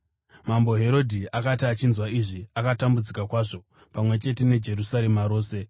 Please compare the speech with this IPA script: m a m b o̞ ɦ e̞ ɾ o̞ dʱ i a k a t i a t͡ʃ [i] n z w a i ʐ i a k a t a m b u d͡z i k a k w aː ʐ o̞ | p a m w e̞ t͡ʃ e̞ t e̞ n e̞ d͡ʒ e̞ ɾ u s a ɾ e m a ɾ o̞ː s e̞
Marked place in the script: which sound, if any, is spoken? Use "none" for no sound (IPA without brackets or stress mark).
i